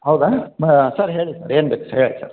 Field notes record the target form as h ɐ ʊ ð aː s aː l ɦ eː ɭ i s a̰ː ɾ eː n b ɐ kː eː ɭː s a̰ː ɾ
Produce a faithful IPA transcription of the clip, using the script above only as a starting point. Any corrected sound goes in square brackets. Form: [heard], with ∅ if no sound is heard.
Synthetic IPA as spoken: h ɐ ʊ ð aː s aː [ɾ] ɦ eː ɭ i s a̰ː ɾ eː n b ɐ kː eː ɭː s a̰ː ɾ

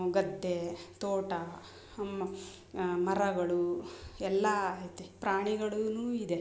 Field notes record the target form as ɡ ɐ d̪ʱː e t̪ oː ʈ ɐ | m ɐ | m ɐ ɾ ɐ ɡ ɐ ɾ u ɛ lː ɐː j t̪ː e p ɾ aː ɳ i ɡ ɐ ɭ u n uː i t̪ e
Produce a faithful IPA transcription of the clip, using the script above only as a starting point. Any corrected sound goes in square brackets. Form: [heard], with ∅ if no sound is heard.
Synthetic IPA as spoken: ɡ ɐ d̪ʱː e t̪ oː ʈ ɐ | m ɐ | m ɐ ɾ ɐ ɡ ɐ [ɭ] u ɛ lː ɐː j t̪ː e p ɾ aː ɳ i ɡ ɐ ɭ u n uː i [d̪] e

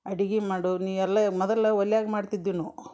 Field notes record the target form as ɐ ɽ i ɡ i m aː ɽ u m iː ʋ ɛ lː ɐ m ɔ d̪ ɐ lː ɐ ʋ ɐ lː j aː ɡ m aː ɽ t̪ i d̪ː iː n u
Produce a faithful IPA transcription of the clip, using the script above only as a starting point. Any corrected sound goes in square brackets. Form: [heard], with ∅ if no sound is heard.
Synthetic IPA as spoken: ɐ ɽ i ɡ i m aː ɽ u [n] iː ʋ ɛ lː ɐ m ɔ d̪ ɐ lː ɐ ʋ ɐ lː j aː ɡ m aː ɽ t̪ i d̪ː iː n u

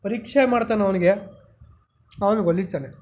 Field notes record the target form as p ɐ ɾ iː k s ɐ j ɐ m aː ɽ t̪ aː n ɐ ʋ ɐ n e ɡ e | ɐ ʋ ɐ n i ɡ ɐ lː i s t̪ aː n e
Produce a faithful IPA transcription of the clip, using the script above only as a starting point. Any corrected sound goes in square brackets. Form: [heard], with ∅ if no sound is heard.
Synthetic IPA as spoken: p ɐ ɾ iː k [ʂ] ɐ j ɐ m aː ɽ t̪ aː n ɐ ʋ ɐ n [i] ɡ e | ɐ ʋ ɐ n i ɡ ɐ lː i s t̪ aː n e

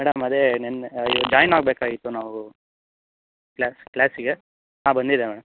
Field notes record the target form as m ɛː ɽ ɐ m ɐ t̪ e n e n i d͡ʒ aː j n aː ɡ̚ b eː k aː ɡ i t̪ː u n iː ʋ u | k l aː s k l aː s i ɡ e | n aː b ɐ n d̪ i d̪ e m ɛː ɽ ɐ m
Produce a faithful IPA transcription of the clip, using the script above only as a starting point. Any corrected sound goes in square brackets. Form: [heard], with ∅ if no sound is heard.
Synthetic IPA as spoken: m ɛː ɽ ɐ m ɐ [d̪] e n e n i d͡ʒ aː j n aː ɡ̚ b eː k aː ɡ i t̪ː u n [aː] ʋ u | k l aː s k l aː s i ɡ e | n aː b ɐ n d̪ i d̪ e m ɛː ɽ ɐ m

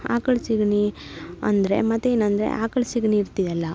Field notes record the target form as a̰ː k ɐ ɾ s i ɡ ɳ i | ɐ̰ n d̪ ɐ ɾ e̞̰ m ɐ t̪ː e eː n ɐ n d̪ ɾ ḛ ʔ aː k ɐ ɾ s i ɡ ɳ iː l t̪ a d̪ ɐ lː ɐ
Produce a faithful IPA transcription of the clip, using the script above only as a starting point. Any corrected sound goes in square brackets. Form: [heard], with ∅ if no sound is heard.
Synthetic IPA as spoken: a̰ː k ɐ [ɭ] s i ɡ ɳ i | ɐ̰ n d̪ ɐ ɾ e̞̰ m ɐ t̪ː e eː n ɐ n d̪ ɾ ḛ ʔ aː k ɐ [ɭ] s i ɡ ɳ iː [ɾ] t̪ [i] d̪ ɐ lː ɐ

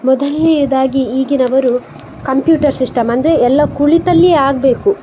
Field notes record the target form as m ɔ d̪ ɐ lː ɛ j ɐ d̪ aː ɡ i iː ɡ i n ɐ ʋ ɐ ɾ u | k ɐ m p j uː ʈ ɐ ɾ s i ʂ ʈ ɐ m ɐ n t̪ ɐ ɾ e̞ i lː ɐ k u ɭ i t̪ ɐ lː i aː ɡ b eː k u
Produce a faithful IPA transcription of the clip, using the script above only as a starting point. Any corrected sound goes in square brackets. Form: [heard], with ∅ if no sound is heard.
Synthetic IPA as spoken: m ɔ d̪ ɐ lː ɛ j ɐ d̪ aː ɡ i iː ɡ i n ɐ ʋ ɐ ɾ u | k ɐ m p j uː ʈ ɐ ɾ s i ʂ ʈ ɐ m ɐ n [d̪] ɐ ɾ e̞ [ɛ] lː ɐ k u ɭ i t̪ ɐ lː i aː ɡ b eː k u

